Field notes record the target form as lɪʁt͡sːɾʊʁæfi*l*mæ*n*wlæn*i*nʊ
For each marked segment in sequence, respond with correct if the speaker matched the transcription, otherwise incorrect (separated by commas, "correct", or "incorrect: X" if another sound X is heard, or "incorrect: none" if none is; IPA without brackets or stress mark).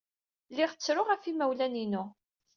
incorrect: none, incorrect: none, correct